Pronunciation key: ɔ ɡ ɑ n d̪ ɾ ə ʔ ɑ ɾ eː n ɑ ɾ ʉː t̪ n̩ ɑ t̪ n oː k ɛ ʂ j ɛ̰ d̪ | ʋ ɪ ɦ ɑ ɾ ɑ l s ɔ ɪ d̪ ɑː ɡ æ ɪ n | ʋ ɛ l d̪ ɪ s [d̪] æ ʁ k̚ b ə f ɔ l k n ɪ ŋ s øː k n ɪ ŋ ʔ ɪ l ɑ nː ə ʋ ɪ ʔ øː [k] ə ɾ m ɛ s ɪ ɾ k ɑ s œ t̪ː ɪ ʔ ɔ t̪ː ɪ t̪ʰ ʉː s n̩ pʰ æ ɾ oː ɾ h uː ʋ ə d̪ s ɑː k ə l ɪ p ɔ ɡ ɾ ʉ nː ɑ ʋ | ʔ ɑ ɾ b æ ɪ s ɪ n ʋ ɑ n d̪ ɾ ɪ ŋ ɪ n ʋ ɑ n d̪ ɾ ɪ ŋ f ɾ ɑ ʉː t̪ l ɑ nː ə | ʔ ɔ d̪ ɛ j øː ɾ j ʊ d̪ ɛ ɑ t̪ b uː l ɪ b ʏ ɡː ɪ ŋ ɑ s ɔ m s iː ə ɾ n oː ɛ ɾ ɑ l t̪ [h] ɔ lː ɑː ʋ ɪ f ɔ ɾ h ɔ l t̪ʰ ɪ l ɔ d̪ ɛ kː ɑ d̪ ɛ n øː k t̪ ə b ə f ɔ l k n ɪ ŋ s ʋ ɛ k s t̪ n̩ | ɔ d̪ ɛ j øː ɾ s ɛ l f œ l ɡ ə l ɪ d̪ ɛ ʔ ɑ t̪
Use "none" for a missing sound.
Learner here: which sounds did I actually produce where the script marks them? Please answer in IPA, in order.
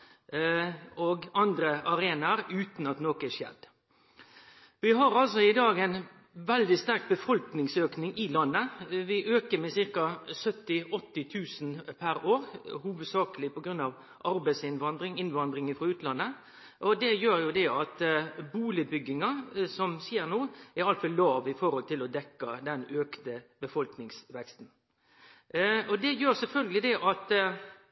t̪, k, f

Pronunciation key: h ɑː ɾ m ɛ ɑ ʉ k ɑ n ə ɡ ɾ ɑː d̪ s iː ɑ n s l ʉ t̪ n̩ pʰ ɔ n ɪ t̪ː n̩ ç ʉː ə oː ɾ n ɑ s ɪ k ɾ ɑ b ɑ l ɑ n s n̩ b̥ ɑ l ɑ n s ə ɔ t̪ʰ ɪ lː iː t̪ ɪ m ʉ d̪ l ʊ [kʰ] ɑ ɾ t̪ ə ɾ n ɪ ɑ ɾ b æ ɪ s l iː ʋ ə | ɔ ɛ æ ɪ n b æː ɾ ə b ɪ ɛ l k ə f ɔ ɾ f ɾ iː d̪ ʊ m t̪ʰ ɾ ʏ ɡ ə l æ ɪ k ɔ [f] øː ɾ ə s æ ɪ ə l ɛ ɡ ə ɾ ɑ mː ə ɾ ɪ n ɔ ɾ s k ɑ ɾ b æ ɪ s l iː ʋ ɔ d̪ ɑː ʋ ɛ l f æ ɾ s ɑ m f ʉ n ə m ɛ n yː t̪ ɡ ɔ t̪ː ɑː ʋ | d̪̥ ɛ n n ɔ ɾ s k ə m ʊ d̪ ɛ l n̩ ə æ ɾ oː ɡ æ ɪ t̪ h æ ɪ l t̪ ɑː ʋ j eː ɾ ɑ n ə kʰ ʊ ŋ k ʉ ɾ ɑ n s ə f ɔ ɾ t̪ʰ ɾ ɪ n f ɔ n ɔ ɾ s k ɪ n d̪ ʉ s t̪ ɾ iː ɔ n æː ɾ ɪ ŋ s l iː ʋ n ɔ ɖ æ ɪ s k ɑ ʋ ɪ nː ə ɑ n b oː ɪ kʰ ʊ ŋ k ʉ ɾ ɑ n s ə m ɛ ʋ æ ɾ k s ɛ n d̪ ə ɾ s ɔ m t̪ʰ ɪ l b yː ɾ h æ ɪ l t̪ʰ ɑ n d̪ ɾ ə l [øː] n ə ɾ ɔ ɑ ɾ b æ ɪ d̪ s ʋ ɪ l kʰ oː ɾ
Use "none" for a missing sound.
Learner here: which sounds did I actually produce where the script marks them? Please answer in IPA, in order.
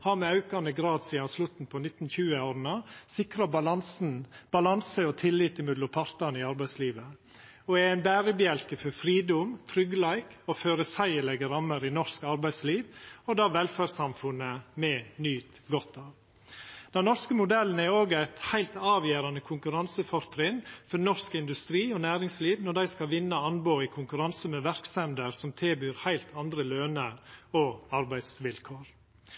pʰ, f, øː

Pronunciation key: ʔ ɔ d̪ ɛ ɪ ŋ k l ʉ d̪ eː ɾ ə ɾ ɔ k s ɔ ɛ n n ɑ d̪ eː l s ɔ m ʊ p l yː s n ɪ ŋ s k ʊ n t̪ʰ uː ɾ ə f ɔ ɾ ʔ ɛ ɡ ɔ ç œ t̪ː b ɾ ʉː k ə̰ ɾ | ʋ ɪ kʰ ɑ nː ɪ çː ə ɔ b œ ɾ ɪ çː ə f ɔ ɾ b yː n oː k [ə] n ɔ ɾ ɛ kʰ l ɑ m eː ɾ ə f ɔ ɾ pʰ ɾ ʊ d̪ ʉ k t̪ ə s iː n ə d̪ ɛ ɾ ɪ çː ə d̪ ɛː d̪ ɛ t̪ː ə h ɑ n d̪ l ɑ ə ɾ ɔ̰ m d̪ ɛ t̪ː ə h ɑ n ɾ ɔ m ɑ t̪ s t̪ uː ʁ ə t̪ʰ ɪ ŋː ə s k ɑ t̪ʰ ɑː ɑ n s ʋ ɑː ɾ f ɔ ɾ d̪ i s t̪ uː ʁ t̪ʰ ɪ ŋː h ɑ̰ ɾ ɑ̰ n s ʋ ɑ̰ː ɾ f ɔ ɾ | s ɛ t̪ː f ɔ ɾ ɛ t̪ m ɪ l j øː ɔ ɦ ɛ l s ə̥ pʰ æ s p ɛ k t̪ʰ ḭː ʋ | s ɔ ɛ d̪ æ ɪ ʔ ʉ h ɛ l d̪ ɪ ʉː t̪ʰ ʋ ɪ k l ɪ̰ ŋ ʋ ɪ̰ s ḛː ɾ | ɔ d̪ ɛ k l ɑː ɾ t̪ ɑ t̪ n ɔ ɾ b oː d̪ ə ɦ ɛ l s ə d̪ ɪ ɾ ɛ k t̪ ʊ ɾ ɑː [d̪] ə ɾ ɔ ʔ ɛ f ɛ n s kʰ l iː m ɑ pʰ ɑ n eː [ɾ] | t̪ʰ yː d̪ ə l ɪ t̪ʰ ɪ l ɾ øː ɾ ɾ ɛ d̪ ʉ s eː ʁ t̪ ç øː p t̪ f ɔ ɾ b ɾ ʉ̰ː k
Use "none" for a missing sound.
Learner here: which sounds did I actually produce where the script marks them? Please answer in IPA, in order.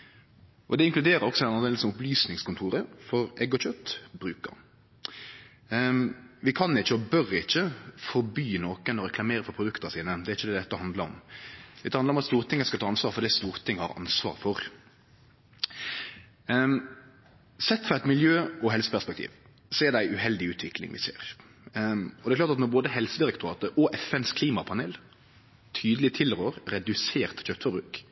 ə, t̪, l

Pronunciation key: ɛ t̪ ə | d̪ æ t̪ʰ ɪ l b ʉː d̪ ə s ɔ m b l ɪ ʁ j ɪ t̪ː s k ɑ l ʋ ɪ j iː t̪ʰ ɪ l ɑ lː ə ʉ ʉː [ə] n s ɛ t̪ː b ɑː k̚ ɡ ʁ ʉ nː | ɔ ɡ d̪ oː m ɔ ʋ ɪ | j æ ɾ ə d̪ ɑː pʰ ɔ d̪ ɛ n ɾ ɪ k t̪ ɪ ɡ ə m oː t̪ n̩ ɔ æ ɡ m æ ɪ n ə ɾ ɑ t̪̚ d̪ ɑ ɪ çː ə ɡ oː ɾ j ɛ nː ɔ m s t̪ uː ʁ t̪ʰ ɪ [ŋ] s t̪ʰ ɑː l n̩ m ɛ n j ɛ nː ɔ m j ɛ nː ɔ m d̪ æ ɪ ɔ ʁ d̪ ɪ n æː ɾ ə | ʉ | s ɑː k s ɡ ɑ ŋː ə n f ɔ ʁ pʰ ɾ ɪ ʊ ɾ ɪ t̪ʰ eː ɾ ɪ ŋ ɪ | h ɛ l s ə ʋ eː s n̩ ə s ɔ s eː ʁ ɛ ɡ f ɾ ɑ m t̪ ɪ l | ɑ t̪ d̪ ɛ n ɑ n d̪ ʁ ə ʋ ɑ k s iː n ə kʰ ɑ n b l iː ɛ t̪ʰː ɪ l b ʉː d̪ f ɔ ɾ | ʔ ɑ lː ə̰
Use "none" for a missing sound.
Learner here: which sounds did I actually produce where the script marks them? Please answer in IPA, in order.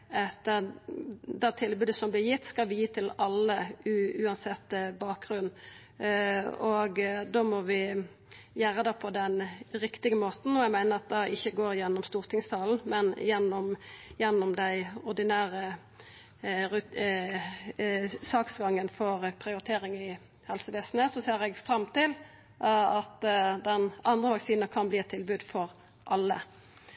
ɑ, ŋ

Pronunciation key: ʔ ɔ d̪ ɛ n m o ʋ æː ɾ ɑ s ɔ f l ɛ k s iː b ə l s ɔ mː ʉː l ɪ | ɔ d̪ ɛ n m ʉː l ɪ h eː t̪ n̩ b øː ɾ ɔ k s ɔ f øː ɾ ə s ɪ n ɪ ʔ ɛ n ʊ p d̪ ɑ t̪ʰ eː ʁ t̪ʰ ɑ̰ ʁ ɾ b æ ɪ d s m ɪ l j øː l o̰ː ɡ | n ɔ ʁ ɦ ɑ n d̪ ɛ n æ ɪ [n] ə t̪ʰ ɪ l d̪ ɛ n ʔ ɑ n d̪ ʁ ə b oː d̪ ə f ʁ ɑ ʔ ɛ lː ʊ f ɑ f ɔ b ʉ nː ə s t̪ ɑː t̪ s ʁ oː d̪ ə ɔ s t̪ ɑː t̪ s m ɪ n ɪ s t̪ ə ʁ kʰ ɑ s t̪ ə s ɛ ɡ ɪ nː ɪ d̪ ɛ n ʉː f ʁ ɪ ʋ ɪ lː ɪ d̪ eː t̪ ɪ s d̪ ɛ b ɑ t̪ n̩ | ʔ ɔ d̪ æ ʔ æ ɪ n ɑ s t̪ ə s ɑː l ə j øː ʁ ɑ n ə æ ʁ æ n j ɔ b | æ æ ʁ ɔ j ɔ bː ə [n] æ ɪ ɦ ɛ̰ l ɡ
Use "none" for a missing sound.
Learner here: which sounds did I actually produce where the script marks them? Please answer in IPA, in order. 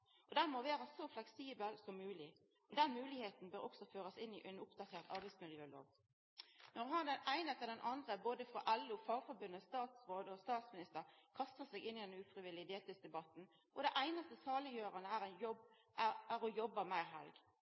n, m

